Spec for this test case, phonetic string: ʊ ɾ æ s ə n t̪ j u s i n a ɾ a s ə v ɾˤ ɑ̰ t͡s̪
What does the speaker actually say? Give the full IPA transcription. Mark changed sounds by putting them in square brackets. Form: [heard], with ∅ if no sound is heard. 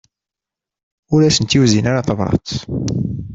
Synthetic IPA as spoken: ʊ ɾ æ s ə n t̪ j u [z] i n a ɾ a [θ] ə v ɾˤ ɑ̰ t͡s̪